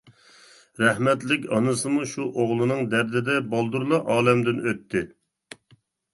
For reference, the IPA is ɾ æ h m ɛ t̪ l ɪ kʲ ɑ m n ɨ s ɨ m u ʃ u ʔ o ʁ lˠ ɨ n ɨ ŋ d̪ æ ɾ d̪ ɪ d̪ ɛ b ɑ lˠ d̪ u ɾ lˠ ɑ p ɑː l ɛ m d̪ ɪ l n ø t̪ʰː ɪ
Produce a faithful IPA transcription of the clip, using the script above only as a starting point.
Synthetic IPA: ɾ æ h m ɛ t̪ l ɪ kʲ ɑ n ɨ s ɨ m u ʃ u ʔ o ʁ lˠ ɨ n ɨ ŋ d̪ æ ɾ d̪ ɪ d̪ ɛ b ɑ lˠ d̪ u ɾ lˠ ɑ ʔ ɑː l ɛ m d̪ ɪ n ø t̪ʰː ɪ